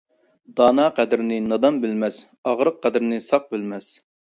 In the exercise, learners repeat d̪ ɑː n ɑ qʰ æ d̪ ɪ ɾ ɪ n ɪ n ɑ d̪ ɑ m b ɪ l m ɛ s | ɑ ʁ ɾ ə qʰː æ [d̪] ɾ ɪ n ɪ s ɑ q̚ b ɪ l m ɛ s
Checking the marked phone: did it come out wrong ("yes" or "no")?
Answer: no